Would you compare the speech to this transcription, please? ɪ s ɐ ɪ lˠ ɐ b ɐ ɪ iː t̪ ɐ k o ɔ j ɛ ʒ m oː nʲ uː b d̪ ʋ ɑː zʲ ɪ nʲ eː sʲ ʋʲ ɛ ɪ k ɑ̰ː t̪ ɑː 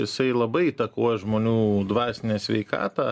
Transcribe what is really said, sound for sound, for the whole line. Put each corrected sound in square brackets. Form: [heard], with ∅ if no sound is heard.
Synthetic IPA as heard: ɪ s ɐ ɪ lˠ ɐ b ɐ ɪ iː t̪ ɐ k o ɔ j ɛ ʒ m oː nʲ uː [∅] d̪ ʋ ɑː [sʲ] ɪ nʲ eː sʲ ʋʲ ɛ ɪ k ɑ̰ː t̪ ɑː